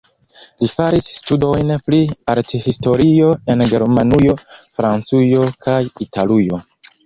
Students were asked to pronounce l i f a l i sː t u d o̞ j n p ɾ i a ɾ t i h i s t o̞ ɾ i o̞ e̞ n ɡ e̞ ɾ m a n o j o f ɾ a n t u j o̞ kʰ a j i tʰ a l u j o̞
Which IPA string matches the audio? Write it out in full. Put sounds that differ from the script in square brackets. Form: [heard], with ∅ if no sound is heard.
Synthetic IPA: l i f a [ɾ] i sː t u d o̞ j n p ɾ i a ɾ t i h i s t o̞ ɾ i o̞ e̞ n ɡ e̞ ɾ m a n [u] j o f ɾ a n [t͡s] u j o̞ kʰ a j i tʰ a l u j o̞